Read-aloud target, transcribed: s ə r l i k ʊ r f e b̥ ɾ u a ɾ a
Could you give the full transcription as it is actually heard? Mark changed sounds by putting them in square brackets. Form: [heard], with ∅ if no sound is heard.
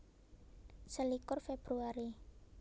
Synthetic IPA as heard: s ə [∅] l i k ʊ r f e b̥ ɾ u a ɾ [i]